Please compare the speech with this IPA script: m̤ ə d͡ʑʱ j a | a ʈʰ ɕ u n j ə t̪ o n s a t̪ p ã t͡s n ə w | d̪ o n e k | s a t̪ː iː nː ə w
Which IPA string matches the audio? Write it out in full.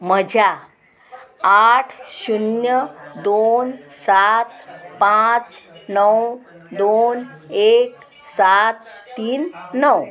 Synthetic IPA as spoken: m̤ ə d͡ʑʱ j a | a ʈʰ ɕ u n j ə d̪ o n s a t̪ p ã t͡s n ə w | d̪ o n e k | s a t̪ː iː nː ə w